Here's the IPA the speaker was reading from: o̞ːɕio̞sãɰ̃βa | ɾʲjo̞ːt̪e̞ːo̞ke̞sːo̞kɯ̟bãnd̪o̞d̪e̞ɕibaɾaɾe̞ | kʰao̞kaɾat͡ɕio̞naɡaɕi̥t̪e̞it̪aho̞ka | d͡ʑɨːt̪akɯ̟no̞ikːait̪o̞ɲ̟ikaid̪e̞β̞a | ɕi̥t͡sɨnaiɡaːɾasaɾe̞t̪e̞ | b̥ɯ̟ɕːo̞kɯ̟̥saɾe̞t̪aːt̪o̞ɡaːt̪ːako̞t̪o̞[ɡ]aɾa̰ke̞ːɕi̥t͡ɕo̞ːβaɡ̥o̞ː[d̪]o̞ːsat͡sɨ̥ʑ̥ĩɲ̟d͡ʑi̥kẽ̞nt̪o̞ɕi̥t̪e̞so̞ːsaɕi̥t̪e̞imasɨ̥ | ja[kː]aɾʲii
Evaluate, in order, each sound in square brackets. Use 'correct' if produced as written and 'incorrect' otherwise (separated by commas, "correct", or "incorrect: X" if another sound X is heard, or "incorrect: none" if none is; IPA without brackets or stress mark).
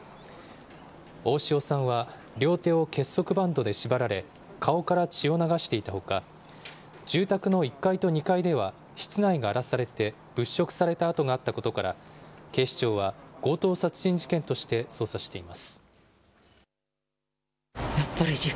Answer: incorrect: k, incorrect: t̪, incorrect: pː